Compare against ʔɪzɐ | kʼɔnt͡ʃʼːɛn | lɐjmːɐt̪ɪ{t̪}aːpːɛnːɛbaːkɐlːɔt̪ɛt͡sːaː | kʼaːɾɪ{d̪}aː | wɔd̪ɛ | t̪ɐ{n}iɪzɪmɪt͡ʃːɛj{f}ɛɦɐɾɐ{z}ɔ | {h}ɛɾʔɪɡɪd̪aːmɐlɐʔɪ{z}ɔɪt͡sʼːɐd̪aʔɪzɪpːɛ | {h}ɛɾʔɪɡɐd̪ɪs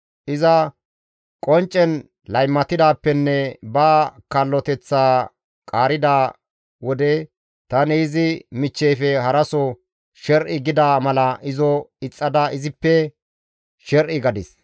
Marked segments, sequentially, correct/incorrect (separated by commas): incorrect, correct, correct, correct, incorrect, incorrect, correct, incorrect